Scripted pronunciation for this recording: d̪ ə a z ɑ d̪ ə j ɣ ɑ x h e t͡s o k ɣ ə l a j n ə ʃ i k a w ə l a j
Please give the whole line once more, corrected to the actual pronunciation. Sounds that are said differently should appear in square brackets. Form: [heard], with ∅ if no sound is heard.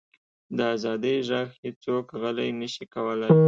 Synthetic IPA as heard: d̪ ə a z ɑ d̪ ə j [ʒ] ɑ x h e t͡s o k ɣ ə l a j n ə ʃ i k a w ə l a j